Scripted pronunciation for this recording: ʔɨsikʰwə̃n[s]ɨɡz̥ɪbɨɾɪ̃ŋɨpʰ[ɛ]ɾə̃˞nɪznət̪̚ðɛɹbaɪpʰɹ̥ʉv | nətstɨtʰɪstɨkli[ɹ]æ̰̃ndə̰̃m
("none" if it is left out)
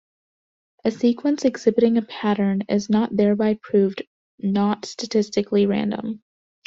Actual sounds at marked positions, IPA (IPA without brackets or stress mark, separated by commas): s, æ, ɹ